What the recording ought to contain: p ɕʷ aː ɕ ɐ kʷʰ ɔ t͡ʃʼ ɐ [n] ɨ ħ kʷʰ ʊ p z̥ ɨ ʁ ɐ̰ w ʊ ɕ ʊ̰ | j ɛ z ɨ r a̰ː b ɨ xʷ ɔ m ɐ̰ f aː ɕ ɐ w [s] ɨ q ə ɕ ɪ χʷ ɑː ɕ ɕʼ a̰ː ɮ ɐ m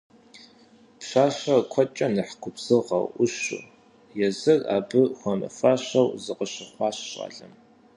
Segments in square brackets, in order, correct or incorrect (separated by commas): correct, incorrect